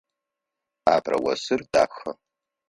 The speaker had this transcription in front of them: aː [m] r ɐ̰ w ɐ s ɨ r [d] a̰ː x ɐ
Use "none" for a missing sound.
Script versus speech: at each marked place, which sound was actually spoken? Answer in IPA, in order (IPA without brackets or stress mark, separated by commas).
b, d